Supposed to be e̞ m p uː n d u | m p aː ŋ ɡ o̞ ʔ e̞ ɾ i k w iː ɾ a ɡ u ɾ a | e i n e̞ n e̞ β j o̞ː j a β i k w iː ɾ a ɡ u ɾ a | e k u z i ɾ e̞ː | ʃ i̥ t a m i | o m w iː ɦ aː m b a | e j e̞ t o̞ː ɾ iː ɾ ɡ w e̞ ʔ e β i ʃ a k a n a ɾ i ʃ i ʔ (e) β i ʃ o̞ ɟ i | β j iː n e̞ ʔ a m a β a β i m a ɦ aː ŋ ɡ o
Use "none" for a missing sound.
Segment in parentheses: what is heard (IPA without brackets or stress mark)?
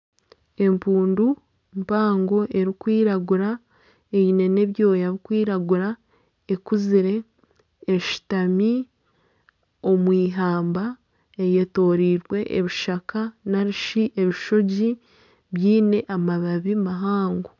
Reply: e